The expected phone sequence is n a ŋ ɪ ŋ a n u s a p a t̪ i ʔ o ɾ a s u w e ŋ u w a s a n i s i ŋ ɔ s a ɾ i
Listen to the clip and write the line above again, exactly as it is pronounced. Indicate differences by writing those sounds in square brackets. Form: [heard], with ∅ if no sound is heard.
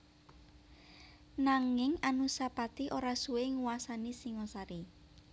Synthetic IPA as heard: n a ŋ ɪ ŋ a n u s a p a t̪ i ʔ o ɾ a s u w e ŋ u w a s a n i s i ŋ ɔ s a ɾ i